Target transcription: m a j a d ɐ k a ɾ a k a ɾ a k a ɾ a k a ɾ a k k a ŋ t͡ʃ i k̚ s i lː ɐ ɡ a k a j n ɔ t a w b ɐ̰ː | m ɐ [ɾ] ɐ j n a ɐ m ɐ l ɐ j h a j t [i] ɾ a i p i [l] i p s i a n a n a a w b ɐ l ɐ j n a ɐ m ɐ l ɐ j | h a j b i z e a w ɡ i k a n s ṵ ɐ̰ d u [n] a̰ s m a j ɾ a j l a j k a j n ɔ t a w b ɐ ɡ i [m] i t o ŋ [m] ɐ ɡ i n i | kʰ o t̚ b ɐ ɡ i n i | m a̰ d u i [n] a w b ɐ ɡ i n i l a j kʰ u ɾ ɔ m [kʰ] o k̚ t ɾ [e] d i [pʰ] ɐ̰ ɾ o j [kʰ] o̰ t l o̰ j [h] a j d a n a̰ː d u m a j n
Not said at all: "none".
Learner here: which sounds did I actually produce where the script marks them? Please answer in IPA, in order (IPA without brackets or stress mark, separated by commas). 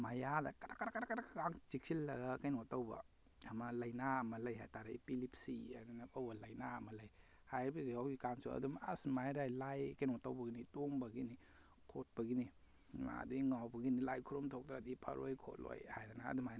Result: l, a, l, m, n, b, ŋ, tʰ, a, pʰ, kʰ, h